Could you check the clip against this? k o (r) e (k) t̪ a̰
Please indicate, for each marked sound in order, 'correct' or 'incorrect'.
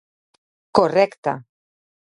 correct, correct

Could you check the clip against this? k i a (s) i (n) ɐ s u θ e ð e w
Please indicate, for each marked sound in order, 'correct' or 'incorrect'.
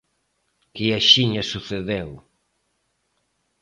incorrect, incorrect

